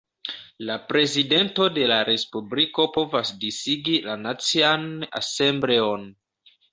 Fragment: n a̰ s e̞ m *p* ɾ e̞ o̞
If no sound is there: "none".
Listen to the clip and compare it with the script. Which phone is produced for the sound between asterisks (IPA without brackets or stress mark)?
b